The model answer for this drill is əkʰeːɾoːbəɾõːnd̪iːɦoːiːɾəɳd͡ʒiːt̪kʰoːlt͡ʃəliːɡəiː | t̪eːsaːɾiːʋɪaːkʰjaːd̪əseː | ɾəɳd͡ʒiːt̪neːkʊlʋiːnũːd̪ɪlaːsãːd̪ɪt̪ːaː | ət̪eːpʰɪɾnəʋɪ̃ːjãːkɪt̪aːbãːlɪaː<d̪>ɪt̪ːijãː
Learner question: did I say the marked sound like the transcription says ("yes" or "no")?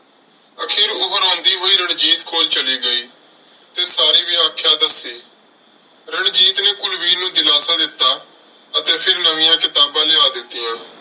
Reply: yes